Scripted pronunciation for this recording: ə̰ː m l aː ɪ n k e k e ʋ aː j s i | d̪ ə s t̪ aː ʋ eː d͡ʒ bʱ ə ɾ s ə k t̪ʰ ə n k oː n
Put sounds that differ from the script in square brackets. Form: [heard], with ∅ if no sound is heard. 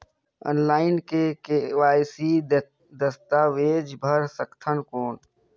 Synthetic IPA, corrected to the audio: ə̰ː [n] l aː ɪ n k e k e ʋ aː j s i | d̪ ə s t̪ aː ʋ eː d͡ʒ bʱ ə ɾ s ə k t̪ʰ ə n k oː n